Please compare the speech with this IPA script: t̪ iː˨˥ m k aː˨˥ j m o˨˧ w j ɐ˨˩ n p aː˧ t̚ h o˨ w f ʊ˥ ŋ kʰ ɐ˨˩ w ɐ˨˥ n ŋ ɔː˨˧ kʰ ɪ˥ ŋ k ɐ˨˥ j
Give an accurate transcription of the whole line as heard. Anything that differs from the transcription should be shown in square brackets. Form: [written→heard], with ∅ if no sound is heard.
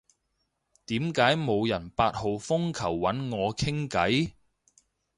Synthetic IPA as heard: t̪ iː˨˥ m k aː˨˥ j m o˨˧ w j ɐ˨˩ n p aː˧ t̚ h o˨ w f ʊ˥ ŋ kʰ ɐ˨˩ [w→wː] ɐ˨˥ n ŋ ɔː˨˧ kʰ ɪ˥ ŋ k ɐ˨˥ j